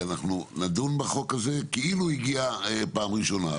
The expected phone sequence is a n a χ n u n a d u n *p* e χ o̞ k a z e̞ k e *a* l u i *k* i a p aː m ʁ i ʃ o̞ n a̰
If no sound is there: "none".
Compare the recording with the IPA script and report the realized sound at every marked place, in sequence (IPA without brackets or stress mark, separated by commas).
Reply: b, i, ɡ